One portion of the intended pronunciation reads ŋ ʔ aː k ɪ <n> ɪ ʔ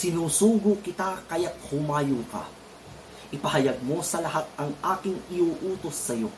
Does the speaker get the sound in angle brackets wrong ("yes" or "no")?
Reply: yes